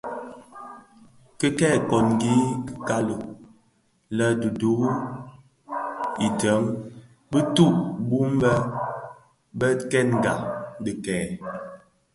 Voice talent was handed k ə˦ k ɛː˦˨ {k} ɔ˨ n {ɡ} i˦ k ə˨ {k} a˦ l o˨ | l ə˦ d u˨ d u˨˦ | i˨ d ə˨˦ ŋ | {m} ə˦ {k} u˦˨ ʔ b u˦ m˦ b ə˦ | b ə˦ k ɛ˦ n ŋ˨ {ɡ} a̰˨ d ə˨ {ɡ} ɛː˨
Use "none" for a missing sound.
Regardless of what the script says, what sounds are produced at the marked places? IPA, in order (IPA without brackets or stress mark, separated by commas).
k, ɡ, k, b, t, ɡ, k